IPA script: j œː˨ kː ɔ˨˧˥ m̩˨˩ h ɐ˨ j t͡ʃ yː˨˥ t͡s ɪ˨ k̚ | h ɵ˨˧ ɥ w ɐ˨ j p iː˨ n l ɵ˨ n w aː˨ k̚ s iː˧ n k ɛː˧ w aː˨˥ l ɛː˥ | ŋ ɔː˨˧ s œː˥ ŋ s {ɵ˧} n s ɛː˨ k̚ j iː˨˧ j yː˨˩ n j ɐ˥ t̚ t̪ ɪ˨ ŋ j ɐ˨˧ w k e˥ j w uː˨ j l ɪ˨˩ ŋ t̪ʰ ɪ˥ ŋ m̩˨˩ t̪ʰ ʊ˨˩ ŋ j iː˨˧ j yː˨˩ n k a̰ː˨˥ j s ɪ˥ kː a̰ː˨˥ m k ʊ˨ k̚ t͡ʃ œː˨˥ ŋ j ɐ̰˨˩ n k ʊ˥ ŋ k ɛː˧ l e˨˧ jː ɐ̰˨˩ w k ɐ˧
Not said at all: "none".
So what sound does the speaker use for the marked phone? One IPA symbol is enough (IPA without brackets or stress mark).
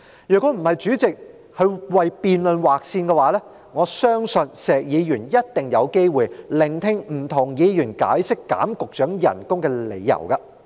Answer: ɵ˧